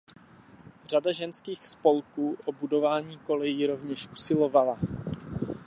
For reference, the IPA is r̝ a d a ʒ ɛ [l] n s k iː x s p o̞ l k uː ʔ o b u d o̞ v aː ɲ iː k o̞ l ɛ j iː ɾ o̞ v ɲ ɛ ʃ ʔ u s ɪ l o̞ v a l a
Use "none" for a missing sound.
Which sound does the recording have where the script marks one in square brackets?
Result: none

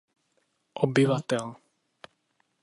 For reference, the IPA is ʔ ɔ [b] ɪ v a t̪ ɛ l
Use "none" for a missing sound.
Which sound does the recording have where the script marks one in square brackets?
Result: b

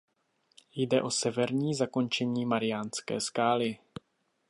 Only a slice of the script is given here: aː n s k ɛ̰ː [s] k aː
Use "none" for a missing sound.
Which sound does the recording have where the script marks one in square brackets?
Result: s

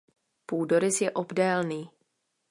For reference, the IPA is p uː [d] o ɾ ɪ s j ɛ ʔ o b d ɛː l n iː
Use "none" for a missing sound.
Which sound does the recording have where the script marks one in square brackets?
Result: d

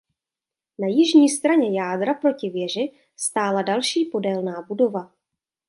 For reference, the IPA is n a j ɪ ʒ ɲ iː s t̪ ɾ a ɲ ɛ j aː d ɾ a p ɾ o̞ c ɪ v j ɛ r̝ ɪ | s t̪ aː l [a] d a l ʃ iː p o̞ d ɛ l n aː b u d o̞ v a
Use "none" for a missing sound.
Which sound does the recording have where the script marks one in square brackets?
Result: a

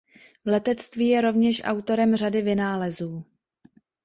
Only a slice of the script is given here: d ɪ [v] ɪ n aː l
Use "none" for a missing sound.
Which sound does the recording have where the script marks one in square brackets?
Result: v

